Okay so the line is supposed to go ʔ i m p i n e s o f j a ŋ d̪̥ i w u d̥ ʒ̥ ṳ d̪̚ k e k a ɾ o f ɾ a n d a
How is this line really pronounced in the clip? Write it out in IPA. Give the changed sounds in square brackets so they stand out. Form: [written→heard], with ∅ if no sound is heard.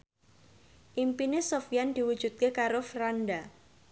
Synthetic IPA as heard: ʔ i m p i n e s o f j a [ŋ→n] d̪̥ i w u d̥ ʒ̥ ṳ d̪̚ k e k a ɾ o f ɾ a n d a